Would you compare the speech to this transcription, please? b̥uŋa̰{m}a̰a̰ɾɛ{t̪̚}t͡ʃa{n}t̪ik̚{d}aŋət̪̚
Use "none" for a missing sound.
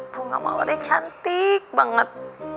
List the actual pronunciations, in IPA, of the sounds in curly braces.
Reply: m, none, n, b

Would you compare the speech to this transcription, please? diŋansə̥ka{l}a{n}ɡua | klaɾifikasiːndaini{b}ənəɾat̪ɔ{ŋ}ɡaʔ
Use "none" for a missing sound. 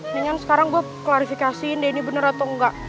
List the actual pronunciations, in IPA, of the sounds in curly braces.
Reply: ɾ, ŋ, b, ŋ

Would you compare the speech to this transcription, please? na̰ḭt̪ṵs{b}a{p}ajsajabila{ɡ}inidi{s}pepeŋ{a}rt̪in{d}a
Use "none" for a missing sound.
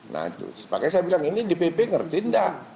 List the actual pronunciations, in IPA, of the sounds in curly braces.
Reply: p, k, ŋ, none, ə, d

